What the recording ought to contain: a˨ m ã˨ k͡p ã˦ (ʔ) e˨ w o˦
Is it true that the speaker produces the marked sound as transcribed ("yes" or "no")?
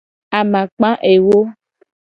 yes